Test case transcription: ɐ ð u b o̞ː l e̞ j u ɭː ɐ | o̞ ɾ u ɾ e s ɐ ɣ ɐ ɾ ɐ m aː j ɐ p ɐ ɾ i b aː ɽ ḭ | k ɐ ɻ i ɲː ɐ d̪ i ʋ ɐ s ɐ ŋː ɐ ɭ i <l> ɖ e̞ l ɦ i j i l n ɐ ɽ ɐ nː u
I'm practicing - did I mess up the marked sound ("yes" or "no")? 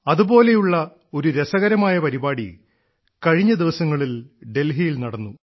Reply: no